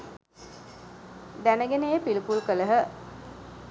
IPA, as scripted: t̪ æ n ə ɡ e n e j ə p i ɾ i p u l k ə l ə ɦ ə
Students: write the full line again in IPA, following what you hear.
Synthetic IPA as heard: d̪ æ n ə ɡ e n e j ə p i l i p u l k ə l ə ɦ ə